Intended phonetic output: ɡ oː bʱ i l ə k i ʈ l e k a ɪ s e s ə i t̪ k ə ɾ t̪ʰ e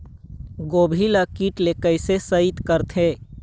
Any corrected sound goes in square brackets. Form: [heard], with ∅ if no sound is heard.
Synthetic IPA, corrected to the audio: ɡ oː bʱ i l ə k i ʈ l e k [ə] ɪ s e s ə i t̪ k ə ɾ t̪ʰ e